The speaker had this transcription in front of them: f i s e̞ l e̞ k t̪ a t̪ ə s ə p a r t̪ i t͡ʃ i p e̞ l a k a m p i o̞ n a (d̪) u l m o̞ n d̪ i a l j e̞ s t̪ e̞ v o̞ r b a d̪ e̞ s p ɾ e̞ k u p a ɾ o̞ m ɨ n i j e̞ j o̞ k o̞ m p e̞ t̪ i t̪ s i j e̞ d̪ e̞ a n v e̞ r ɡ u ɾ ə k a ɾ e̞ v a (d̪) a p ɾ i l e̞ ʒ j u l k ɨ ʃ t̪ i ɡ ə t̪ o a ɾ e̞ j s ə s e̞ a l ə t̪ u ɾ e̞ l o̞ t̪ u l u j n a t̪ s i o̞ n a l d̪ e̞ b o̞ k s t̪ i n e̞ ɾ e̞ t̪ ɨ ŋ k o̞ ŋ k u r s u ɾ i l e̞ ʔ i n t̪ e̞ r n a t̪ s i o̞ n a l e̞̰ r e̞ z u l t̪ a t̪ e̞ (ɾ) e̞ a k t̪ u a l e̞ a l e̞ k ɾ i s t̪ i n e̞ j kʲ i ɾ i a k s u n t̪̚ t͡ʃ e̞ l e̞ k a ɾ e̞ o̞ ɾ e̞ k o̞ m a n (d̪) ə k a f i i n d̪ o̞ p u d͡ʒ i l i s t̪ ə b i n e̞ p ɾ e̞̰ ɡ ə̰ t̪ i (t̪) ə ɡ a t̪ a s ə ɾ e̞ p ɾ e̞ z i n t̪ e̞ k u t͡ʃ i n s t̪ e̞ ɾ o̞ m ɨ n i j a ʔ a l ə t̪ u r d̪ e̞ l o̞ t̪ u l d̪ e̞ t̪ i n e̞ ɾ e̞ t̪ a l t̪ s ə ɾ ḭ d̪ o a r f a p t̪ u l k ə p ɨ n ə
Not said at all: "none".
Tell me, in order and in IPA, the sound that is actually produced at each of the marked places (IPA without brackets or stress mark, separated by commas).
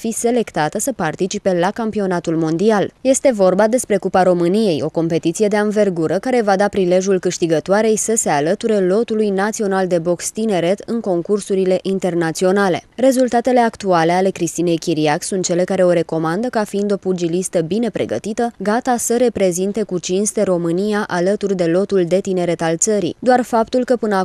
t̪, d̪, l, d̪, t̪